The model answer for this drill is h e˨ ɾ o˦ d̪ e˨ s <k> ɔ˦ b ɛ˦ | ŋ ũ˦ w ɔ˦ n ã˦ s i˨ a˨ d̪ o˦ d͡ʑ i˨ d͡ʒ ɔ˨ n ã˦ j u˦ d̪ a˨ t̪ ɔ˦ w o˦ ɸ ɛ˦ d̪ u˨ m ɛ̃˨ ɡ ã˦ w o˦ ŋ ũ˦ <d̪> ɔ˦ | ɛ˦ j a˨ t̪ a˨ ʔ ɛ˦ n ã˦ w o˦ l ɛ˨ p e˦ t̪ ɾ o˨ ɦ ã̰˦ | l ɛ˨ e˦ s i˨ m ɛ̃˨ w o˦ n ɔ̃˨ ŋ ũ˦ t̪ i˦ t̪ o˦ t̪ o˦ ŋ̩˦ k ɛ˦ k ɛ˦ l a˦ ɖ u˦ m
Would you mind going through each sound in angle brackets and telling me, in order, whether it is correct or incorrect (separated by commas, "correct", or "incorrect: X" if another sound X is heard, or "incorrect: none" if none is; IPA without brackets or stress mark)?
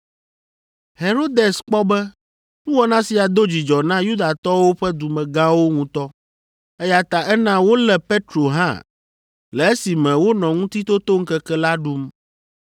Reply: incorrect: k͡p, incorrect: t̪